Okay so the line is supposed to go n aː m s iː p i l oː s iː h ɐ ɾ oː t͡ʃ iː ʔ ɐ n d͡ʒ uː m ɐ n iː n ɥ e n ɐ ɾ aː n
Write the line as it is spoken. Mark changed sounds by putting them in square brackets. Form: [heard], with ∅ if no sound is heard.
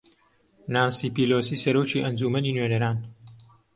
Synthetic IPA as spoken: n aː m s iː p i l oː s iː [s] ɐ ɾ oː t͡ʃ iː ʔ ɐ n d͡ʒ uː m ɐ n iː n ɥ e n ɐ ɾ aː n